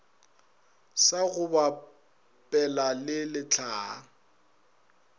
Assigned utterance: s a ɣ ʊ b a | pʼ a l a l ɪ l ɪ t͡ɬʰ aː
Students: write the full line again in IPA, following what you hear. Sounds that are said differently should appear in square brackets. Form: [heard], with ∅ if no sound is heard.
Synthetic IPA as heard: s a ɣ ʊ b a | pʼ [ɛ] l a l ɪ l ɪ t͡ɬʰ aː